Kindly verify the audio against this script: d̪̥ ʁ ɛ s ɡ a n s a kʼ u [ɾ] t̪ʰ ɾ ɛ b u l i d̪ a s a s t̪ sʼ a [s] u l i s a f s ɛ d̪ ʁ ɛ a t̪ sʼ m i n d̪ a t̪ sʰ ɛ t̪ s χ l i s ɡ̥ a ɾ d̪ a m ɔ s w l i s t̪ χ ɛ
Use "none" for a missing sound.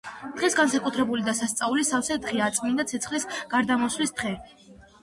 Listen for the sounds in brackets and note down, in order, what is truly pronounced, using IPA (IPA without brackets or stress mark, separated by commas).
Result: none, none